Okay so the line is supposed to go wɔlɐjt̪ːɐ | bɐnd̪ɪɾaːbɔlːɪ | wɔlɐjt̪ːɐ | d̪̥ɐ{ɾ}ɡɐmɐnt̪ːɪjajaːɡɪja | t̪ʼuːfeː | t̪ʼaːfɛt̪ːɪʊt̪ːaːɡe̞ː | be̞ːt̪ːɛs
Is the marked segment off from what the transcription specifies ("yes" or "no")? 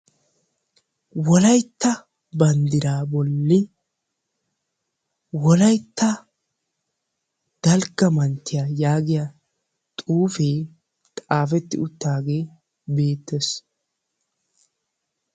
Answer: yes